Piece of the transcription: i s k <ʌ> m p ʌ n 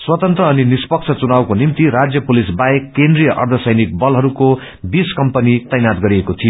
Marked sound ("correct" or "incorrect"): correct